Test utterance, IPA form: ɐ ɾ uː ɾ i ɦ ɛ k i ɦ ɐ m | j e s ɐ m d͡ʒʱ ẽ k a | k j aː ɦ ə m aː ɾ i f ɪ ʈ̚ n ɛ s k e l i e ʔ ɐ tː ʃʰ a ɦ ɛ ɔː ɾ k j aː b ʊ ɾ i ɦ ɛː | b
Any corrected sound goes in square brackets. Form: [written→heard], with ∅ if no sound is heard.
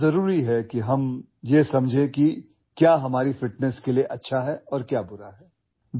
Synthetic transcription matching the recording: ɐ ɾ uː ɾ i ɦ ɛ k i ɦ ɐ m | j e s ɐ m d͡ʒʱ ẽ k [a→i] | k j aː ɦ [ə→ɐ] m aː ɾ i f ɪ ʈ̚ n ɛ s k e l i e ʔ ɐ tː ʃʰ a ɦ ɛ ɔː ɾ k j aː b ʊ ɾ [i→a] ɦ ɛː | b

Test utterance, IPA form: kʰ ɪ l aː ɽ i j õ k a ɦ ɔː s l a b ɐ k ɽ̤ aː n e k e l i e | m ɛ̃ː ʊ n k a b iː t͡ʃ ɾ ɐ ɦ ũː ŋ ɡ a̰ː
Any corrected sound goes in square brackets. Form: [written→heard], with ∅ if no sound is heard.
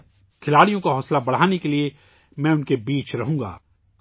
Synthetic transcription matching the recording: kʰ ɪ l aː ɽ i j õ k a ɦ ɔː s l a b ɐ [k→∅] ɽ̤ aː n e k e l i e | m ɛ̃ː ʊ n k [a→e] b iː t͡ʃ ɾ ɐ ɦ ũː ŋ ɡ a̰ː

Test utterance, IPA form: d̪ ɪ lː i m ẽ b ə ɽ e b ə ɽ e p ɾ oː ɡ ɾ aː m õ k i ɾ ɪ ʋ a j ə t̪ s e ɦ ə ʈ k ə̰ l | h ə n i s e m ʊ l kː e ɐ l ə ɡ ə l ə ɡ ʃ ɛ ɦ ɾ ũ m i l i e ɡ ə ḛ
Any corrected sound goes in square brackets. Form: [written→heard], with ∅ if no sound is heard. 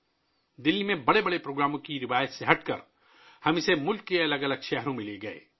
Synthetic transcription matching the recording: d̪ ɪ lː i m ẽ b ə ɽ e b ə ɽ e p ɾ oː ɡ ɾ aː m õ k i ɾ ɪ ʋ a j ə t̪ s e ɦ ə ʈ k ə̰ [l→ɾ] | h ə [n→m] i s e m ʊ l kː e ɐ l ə ɡ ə l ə ɡ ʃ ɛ ɦ ɾ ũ m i l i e ɡ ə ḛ

